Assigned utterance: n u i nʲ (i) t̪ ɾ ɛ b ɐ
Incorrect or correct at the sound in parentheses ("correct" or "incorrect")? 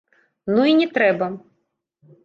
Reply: incorrect